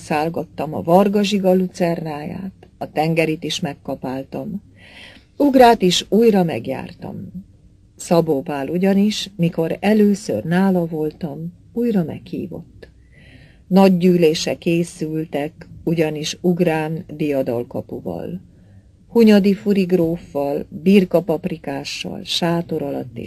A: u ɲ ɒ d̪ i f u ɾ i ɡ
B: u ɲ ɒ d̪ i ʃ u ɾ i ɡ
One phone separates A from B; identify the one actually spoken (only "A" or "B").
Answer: A